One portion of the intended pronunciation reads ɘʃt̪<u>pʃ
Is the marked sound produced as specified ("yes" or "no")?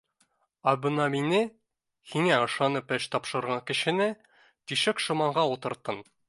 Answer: no